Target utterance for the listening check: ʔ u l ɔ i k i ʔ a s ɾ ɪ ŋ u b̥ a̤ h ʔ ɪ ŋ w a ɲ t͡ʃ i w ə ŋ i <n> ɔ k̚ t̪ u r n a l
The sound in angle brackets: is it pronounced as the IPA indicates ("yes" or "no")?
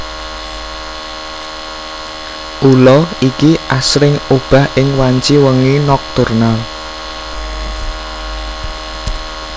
yes